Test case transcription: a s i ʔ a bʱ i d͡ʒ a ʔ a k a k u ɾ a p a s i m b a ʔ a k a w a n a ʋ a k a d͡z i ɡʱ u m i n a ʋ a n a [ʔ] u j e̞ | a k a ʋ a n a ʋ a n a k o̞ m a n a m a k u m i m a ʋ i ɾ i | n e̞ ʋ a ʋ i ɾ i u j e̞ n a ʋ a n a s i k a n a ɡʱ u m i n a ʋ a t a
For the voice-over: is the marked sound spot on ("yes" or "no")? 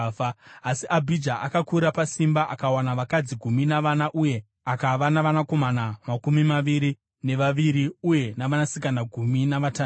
yes